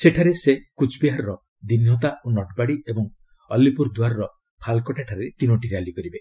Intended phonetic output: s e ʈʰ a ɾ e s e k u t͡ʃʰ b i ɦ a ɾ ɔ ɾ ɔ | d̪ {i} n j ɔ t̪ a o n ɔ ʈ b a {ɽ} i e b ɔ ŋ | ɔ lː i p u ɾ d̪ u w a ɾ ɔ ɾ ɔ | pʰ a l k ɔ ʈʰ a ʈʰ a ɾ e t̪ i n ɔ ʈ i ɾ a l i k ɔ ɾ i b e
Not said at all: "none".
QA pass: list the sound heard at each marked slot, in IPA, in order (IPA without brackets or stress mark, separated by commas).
i, ɽ